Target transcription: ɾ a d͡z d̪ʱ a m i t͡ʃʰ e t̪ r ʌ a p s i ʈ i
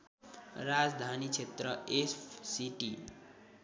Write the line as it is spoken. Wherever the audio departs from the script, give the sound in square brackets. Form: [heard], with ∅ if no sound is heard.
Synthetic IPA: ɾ a d͡z d̪ʱ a [n] i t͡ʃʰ e t̪ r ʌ [e] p s i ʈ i